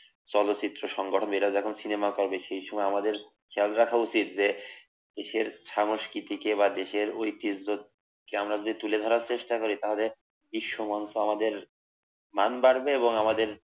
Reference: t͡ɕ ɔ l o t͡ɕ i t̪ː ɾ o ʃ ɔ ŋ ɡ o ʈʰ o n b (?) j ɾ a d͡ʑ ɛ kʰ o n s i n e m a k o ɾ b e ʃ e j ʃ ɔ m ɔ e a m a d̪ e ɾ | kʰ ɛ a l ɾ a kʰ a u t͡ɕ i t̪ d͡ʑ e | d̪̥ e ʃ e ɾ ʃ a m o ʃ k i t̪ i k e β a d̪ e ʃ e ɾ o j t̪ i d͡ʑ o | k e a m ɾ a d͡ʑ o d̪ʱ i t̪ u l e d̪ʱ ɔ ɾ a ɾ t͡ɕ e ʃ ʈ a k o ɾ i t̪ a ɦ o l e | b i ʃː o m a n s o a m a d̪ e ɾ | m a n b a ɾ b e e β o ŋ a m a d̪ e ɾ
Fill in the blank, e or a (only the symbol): e